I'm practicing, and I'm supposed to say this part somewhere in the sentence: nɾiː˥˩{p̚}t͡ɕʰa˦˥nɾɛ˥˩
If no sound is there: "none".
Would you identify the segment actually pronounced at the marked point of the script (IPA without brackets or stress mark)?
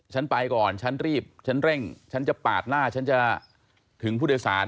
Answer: p̚